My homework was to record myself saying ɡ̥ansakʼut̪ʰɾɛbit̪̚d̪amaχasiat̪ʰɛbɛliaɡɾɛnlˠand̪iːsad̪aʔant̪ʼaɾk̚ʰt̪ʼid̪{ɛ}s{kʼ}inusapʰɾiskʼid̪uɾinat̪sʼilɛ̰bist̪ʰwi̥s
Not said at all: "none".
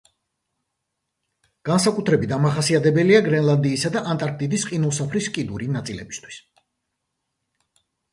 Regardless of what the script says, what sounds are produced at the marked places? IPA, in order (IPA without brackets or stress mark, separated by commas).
i, qʼ